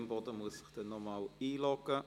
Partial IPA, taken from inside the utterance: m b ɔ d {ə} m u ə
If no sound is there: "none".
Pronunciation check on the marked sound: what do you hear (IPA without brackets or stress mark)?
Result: ə